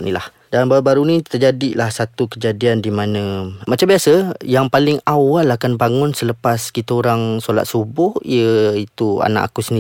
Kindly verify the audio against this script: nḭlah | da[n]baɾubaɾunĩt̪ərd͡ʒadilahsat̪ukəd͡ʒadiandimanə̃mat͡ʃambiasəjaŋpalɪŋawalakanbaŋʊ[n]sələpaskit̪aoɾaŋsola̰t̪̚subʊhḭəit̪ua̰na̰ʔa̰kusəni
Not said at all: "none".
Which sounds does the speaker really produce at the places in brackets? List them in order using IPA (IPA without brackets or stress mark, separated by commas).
n, n